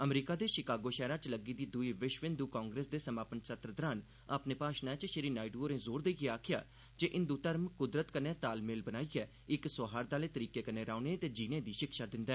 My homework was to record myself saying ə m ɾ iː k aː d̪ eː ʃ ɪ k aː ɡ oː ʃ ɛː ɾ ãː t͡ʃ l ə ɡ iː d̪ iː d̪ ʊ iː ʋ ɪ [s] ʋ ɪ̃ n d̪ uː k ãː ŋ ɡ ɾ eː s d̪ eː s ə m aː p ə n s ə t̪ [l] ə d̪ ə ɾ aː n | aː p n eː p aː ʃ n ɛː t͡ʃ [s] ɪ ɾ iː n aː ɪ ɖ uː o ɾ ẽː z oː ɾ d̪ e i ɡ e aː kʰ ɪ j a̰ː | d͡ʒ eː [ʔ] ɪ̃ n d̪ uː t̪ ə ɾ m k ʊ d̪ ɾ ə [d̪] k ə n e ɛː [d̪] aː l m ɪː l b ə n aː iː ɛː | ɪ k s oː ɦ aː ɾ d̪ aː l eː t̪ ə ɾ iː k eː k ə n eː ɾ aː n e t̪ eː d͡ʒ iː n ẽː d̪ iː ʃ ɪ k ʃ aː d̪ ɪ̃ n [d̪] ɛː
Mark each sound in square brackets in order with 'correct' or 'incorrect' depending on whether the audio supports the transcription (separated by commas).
incorrect, incorrect, incorrect, correct, incorrect, incorrect, correct